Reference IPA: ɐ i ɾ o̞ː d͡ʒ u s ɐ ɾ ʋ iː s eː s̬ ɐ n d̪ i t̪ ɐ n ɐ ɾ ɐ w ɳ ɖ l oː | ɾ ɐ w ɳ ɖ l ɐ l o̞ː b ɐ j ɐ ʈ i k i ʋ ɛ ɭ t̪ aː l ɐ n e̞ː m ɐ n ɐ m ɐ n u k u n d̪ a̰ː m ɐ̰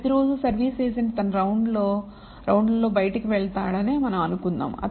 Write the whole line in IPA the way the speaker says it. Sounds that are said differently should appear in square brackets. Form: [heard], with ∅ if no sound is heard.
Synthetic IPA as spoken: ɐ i ɾ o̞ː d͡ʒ u s ɐ ɾ ʋ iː s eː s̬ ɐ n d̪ i t̪ ɐ n ɐ ɾ ɐ w ɳ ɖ l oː | ɾ ɐ w ɳ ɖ l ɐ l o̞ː b ɐ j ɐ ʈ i k i ʋ ɛ ɭ t̪ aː [ɽ] ɐ n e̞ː m ɐ n ɐ m ɐ n u k u n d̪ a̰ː m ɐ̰